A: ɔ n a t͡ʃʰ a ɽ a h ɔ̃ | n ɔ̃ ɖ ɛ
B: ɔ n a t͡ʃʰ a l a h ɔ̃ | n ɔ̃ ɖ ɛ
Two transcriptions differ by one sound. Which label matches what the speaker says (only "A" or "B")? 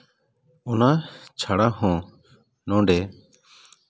A